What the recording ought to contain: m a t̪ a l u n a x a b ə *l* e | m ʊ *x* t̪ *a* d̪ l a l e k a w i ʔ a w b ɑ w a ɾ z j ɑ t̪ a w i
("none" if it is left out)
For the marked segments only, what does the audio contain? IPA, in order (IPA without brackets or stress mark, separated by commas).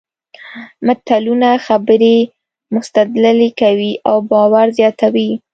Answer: ɾ, s, a